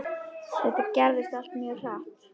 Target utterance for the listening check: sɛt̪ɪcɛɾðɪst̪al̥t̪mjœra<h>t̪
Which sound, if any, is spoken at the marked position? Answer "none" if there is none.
h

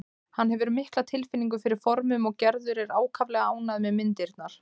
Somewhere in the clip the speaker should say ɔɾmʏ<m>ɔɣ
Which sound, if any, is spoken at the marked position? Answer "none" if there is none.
m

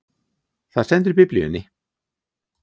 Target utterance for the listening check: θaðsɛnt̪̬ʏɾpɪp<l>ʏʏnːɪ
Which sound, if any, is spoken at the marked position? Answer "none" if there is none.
l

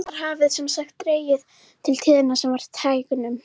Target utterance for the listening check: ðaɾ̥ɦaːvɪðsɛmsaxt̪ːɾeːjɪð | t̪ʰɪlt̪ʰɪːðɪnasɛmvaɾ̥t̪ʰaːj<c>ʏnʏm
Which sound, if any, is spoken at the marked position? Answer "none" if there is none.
k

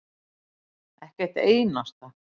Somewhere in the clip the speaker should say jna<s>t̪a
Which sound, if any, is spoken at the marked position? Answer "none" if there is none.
s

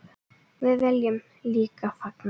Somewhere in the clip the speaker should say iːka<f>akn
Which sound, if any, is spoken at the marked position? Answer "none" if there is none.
f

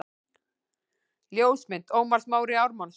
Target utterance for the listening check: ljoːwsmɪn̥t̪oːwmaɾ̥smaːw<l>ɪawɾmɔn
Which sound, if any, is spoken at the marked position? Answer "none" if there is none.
ɾ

